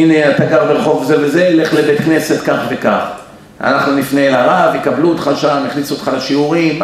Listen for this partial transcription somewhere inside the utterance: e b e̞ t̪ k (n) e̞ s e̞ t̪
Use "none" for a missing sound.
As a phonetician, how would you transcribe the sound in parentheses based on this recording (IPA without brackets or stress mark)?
n